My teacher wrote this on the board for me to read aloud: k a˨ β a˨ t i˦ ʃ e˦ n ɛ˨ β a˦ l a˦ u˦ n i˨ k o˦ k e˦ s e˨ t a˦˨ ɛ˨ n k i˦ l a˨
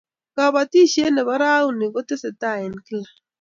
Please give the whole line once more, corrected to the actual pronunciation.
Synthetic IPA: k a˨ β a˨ t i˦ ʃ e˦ n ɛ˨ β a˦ ɾ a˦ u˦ n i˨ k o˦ t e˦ s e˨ t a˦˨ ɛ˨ n k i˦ l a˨